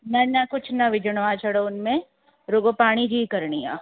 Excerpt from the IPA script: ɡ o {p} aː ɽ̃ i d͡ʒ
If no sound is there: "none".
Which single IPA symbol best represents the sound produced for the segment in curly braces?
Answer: p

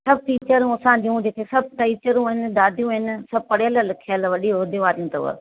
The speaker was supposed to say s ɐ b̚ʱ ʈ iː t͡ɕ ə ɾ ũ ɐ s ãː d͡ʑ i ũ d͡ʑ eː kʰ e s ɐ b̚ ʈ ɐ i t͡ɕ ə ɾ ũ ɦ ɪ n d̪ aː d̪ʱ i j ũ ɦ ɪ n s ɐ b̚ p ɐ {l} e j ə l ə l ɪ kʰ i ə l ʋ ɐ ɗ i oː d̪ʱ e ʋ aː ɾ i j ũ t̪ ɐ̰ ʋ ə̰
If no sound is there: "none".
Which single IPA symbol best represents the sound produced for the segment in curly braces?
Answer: ɽ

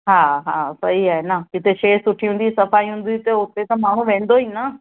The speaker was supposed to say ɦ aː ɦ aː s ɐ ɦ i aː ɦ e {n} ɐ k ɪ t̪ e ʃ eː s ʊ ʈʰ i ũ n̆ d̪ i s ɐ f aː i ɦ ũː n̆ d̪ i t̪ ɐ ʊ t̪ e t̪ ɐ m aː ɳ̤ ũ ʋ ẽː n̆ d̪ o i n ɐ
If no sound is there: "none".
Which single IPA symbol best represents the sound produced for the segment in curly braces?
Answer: n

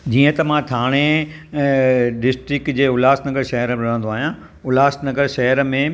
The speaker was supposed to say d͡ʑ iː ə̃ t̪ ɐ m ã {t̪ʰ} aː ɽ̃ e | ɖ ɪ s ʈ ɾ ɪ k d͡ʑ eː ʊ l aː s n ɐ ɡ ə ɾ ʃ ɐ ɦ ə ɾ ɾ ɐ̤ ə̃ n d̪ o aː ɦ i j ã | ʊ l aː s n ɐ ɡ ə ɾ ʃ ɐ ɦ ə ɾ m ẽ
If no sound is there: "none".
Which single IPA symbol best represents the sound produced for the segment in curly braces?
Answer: t̪ʰ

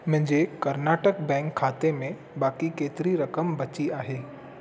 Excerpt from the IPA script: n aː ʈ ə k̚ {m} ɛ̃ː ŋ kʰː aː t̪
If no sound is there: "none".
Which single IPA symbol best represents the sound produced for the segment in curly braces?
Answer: b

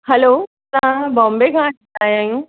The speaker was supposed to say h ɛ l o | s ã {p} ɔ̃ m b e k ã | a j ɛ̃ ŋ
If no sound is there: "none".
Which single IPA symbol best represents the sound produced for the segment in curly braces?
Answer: b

